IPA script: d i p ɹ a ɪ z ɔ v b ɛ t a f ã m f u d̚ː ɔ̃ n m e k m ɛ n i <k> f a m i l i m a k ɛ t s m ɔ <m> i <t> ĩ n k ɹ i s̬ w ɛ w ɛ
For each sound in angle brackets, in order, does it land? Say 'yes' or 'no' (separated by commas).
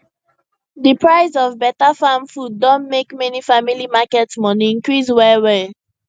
no, no, no